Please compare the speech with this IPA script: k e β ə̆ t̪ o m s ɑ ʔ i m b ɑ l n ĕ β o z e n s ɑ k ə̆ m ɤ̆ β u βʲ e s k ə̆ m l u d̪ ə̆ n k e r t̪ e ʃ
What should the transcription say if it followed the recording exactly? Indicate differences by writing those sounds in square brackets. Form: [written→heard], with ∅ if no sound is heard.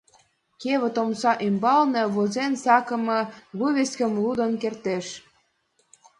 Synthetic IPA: k e β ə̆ t̪ o m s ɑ ʔ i m b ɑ l n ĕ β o z e n s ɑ k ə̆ m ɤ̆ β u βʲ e s k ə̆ m l u d̪ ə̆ n k e r t̪ e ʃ